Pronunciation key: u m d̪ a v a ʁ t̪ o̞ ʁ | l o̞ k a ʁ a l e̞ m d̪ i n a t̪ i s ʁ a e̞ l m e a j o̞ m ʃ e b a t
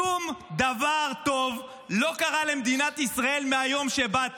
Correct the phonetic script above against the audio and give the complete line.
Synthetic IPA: u m d̪ a v a ʁ t̪ o̞ v | l o̞ k a ʁ a l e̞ m d̪ i n a t̪ i s ʁ a e̞ l m e a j o̞ m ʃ e b a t